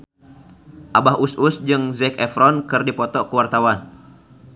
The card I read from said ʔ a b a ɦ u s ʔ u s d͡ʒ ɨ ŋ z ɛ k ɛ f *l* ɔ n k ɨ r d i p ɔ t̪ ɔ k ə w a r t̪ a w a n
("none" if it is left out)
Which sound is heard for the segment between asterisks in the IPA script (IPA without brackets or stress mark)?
ɾ